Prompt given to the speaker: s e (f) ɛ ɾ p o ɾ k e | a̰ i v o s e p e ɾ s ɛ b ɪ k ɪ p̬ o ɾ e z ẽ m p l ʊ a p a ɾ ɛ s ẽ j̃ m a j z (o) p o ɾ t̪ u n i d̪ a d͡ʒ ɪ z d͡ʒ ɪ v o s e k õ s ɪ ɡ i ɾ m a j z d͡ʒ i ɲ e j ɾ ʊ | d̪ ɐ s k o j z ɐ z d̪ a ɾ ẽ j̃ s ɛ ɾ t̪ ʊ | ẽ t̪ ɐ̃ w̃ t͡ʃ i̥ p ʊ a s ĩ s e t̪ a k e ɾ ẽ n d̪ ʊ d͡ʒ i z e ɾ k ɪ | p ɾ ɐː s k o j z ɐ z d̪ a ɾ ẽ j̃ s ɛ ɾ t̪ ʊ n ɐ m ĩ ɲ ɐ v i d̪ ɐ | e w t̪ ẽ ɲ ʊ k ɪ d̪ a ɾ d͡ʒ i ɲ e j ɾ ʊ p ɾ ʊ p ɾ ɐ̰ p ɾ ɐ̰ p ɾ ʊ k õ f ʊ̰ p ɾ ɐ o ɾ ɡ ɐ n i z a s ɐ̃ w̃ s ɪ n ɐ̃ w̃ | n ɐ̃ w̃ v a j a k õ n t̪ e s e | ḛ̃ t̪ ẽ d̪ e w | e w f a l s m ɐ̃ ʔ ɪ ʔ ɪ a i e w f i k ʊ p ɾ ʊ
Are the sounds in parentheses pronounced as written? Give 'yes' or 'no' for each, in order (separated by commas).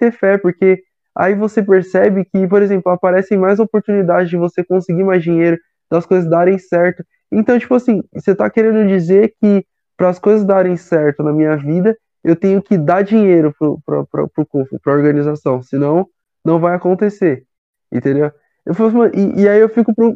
yes, yes